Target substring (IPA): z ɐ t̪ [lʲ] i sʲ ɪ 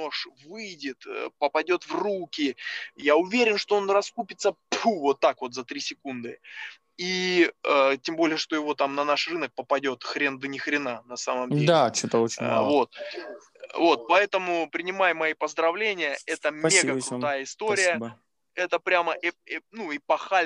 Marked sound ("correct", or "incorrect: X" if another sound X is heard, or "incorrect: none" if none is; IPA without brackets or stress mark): incorrect: ɾʲ